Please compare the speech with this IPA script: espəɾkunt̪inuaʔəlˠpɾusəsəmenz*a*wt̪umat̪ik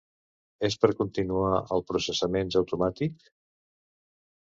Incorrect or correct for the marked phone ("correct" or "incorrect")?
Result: incorrect